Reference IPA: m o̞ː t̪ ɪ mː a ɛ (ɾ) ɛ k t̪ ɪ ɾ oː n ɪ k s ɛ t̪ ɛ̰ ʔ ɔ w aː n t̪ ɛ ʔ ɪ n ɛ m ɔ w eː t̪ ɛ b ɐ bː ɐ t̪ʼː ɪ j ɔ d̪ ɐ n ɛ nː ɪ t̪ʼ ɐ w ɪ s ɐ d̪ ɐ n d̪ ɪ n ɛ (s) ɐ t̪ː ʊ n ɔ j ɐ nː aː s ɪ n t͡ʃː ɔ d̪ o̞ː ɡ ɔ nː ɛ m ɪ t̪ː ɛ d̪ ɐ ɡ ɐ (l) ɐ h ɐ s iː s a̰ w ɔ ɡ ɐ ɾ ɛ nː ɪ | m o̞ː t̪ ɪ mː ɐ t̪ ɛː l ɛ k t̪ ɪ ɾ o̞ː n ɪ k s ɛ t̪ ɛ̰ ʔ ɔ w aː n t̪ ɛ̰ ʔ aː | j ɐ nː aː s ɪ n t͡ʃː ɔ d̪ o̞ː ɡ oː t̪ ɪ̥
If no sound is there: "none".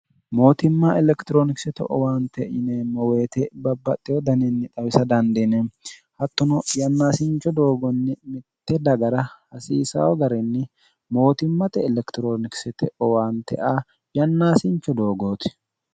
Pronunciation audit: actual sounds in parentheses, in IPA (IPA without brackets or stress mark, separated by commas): l, h, ɾ